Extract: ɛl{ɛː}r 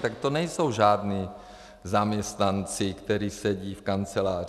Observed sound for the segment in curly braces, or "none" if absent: aː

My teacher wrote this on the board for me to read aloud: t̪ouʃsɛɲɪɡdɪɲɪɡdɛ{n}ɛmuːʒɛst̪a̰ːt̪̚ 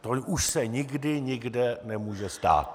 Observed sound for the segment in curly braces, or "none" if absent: n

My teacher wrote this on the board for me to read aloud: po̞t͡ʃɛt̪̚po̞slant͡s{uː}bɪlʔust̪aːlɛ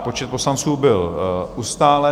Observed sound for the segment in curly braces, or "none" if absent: uː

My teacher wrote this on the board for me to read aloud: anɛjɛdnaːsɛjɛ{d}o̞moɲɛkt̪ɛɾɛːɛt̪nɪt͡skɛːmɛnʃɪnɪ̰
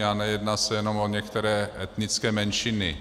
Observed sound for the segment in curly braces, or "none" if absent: n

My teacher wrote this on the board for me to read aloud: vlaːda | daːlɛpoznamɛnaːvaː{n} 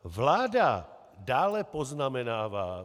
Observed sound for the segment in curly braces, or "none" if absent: none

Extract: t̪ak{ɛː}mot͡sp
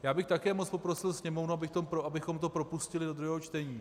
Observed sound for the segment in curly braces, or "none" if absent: ɛː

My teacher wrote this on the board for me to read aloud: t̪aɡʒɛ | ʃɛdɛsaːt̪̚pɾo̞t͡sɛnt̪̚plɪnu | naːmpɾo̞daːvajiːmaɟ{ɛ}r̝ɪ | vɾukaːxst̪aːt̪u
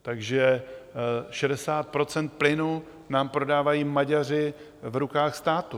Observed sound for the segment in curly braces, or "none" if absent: a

